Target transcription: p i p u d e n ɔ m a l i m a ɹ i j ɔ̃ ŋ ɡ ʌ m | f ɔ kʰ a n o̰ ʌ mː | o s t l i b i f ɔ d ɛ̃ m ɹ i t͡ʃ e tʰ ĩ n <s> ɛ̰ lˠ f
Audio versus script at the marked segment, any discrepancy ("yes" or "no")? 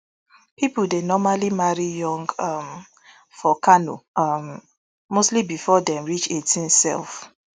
no